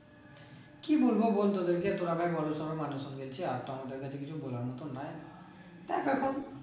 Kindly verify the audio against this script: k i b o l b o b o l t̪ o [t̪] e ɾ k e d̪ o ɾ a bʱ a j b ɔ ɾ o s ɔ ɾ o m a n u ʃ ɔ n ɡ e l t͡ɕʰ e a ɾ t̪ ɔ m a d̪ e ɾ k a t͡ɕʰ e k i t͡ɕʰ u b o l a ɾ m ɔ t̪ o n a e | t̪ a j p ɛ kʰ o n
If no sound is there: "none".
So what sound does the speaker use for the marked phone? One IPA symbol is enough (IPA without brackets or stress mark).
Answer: d̪